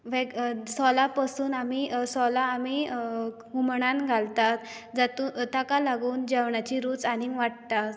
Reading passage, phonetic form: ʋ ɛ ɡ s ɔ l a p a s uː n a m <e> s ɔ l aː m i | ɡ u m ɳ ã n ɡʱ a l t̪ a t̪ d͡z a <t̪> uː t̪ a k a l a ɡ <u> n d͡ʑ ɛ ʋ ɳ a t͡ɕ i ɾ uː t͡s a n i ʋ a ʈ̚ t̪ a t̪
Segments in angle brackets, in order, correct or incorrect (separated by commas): incorrect, correct, incorrect